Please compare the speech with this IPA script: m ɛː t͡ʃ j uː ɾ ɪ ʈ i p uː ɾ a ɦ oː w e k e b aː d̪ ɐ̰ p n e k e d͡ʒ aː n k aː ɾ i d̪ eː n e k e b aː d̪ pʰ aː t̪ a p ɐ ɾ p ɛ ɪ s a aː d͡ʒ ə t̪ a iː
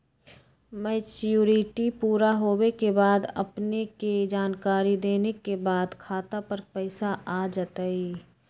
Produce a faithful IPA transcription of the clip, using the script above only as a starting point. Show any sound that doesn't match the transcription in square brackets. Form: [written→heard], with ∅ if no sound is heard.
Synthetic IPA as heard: m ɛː t͡ʃ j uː ɾ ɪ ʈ i p uː ɾ a ɦ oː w e k e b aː d̪ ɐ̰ p n e k e d͡ʒ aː n k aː ɾ i d̪ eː n e k e b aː d̪ [pʰ→kʰ] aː t̪ a p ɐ ɾ p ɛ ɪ s a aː d͡ʒ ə t̪ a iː